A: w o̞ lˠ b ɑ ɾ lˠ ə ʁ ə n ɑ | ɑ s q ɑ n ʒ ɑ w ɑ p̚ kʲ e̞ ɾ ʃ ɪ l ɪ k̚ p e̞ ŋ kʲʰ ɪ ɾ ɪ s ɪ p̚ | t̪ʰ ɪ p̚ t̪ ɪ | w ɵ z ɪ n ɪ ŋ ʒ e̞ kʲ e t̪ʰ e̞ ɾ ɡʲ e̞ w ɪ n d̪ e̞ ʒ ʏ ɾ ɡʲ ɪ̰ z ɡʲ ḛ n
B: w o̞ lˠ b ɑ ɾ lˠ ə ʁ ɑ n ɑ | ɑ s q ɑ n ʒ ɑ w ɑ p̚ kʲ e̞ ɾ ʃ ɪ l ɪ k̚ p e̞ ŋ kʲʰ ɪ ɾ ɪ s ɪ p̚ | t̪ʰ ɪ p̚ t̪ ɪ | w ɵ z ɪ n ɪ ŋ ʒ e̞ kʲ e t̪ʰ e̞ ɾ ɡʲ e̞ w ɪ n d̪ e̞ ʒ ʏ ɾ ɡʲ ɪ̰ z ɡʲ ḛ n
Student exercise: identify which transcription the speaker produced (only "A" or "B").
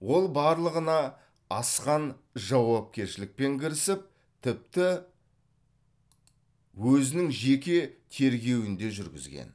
A